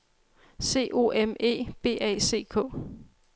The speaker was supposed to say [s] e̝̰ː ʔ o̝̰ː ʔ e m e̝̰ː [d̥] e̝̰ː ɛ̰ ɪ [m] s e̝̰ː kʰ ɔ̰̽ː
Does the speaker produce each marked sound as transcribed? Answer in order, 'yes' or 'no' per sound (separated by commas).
yes, no, no